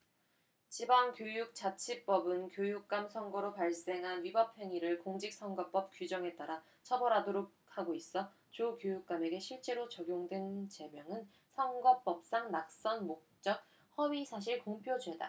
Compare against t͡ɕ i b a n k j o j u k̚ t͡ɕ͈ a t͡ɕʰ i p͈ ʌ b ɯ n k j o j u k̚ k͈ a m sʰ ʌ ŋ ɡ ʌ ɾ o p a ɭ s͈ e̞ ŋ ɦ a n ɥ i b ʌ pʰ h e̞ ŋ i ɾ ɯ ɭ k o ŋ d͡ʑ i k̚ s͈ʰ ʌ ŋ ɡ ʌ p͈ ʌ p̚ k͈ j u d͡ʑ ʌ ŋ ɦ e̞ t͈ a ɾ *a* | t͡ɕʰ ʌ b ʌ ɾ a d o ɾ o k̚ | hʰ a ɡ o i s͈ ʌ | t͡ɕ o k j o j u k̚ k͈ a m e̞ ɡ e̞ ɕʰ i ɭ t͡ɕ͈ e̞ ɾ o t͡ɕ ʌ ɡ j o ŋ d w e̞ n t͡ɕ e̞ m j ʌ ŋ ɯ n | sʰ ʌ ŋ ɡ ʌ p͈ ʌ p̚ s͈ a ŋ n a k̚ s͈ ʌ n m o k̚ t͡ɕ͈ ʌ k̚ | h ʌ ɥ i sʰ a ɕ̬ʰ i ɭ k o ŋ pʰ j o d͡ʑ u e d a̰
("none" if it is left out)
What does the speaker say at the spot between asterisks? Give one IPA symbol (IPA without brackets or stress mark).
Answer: a